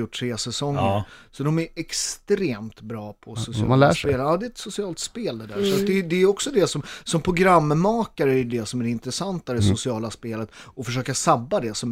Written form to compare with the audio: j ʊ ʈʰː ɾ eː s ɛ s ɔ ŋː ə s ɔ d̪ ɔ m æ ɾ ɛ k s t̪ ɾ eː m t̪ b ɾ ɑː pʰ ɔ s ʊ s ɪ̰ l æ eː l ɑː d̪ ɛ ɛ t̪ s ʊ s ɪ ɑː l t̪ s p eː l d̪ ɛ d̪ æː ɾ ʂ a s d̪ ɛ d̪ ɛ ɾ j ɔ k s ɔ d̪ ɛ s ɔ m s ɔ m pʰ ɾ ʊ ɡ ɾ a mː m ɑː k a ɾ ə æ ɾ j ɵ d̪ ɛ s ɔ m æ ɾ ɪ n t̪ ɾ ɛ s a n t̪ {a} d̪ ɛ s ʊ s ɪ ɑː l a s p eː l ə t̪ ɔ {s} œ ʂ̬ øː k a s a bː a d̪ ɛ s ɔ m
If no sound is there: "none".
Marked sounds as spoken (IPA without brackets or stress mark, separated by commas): a, f